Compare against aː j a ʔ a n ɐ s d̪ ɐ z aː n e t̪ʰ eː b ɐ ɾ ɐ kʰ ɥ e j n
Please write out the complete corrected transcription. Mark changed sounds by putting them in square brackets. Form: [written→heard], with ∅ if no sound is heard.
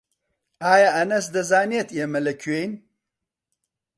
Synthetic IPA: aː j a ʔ [a→ɐ] n ɐ s d̪ ɐ z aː n e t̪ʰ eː [b→m] ɐ [ɾ→l] ɐ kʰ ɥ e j n

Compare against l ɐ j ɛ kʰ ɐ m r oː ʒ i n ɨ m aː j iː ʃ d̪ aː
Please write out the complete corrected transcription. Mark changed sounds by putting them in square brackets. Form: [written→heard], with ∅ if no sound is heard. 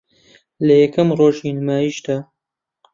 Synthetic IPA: l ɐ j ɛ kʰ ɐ m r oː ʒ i n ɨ m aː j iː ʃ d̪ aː

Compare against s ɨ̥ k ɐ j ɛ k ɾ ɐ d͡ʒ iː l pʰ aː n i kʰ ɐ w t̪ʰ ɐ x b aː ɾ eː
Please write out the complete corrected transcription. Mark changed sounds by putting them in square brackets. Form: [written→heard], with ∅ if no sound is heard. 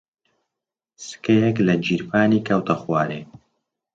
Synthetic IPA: s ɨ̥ k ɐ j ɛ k [ɾ→l] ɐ d͡ʒ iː [l→ɾ] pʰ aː n i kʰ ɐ w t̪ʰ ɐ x [b→w] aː ɾ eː

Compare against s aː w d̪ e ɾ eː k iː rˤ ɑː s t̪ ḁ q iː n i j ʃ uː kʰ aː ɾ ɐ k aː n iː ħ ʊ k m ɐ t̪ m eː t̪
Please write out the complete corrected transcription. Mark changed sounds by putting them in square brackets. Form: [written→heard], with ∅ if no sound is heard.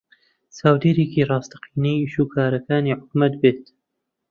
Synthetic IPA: s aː w d̪ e ɾ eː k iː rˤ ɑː s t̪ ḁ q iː n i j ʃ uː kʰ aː ɾ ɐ k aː n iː ħ ʊ k m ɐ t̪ [m→b] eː t̪

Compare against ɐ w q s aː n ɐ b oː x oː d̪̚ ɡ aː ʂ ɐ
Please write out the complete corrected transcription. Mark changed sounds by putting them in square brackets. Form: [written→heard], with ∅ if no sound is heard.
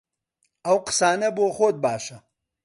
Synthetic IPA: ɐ w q s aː n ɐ b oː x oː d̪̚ [ɡ→b] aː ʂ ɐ

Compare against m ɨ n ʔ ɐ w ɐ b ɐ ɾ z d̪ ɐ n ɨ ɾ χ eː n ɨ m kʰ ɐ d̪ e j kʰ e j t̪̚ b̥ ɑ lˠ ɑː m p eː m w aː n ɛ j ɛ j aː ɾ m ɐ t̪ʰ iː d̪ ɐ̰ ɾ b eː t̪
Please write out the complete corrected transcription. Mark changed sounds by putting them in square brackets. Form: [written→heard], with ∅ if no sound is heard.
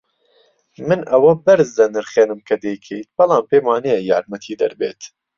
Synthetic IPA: m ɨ n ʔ ɐ w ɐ b ɐ ɾ z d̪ ɐ n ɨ ɾ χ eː n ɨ m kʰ ɐ d̪ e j kʰ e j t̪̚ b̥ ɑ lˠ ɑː m p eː m w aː n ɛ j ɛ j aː ɾ m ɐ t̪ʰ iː d̪ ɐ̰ ɾ b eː t̪

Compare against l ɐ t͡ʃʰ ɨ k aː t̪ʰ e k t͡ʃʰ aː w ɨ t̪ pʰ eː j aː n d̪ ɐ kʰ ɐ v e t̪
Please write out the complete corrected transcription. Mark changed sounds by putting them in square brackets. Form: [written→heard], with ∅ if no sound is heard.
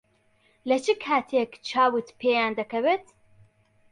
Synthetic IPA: l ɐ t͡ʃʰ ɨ [k→kʰ] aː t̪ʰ e k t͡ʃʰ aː w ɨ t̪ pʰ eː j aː n d̪ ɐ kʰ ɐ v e t̪

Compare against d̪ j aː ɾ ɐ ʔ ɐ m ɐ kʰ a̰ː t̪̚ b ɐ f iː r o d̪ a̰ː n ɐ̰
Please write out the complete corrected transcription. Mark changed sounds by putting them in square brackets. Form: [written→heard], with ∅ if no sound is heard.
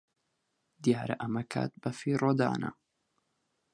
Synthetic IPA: d̪ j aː ɾ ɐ ʔ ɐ m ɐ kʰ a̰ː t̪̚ b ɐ f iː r o d̪ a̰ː n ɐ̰

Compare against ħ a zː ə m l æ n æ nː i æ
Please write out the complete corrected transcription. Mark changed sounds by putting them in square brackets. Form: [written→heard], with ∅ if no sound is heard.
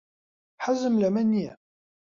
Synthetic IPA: ħ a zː ə m l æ [n→m] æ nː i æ

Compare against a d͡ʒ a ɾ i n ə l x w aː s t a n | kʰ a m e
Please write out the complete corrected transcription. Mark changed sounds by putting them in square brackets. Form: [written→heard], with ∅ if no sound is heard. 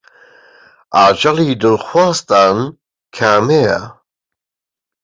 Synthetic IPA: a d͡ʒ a [ɾ→l] i [n→d] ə l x w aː s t a n | kʰ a m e

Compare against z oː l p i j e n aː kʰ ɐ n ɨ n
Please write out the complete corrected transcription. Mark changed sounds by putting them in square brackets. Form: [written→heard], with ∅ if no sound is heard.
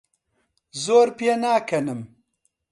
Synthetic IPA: z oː [l→ɾ] p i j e n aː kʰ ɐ n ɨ [n→m]

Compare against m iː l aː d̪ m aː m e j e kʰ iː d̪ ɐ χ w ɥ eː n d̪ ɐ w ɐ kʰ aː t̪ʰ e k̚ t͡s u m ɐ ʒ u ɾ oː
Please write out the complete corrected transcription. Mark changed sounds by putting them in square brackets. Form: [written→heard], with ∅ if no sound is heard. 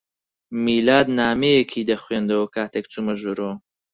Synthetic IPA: m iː l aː d̪ [m→n] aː m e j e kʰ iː d̪ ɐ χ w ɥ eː n d̪ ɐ w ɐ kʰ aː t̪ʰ e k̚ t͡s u m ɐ ʒ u ɾ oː

